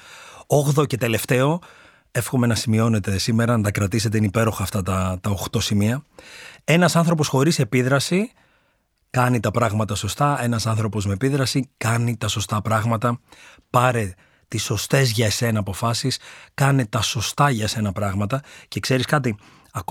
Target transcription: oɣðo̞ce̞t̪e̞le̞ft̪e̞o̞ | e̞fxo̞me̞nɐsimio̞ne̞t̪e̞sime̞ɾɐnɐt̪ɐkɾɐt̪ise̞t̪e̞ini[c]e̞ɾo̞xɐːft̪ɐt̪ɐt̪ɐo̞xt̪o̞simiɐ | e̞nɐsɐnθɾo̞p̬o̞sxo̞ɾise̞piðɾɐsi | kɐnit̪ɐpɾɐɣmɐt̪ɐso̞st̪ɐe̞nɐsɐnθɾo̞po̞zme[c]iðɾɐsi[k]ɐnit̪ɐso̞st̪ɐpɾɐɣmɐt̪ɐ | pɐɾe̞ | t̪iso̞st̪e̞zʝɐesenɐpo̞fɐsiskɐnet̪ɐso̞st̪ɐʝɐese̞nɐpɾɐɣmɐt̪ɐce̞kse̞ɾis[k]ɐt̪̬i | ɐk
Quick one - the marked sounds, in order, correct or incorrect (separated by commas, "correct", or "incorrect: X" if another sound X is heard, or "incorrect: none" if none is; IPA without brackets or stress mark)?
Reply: incorrect: p, incorrect: p, correct, correct